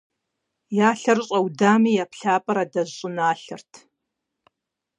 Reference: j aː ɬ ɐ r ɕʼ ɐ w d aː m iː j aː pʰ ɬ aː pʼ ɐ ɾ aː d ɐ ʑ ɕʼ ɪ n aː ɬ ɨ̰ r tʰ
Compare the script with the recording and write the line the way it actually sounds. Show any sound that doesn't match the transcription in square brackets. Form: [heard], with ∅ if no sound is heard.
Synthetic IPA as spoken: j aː ɬ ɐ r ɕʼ ɐ w d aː m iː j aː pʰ ɬ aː pʼ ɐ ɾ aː d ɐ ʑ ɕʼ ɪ n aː ɬ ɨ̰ r tʰ